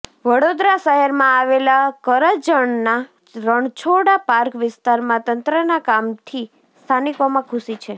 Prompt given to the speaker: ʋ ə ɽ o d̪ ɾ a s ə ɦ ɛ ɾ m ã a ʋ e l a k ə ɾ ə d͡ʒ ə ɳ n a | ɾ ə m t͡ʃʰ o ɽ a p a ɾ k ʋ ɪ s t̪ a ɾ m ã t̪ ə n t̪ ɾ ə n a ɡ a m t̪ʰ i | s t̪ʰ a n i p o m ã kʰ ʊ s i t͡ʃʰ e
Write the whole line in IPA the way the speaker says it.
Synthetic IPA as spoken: ʋ ə ɽ o d̪ ɾ a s ə ɦ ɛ ɾ m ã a ʋ e l a k ə ɾ ə d͡ʒ ə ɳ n a | ɾ ə ɳ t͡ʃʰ o ɽ a p a ɾ k ʋ ɪ s t̪ a ɾ m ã t̪ ə n t̪ ɾ ə n a k a m t̪ʰ i | s t̪ʰ a n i k o m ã kʰ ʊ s i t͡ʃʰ e